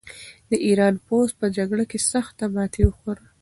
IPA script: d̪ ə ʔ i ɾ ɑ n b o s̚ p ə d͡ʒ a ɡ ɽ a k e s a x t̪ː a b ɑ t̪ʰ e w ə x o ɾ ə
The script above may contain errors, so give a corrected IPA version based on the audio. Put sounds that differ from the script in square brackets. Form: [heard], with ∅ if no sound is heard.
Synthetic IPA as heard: d̪ ə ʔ i ɾ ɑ n [p] o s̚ p ə d͡ʒ a ɡ ɽ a k e s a x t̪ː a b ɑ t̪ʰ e w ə x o ɾ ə